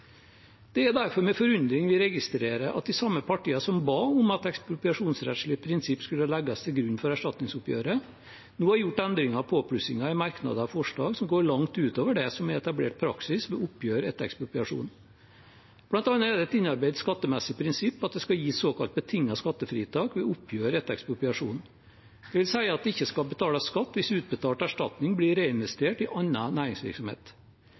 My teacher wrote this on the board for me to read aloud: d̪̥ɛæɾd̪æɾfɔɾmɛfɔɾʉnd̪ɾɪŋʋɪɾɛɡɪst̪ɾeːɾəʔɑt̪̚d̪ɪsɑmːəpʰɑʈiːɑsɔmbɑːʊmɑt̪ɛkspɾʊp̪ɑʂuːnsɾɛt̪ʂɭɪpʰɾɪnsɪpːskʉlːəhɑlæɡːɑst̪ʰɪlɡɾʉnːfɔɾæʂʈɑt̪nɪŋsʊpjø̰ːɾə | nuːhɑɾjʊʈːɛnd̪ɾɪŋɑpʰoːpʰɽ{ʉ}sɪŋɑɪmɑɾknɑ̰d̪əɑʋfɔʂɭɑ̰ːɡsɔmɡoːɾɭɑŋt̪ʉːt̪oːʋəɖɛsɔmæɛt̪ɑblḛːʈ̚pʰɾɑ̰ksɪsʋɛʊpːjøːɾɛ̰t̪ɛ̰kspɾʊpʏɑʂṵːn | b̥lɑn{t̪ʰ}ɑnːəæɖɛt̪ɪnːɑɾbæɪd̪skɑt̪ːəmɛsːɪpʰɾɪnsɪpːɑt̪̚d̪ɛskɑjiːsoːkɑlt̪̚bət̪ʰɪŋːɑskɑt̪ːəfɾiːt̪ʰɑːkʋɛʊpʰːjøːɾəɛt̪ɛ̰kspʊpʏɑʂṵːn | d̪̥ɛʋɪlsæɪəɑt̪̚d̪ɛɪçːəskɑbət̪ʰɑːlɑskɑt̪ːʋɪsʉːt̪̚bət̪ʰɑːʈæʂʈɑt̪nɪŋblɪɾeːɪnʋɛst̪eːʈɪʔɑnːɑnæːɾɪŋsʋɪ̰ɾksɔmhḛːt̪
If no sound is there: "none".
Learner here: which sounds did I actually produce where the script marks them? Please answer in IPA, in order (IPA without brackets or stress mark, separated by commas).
ʉ, t̪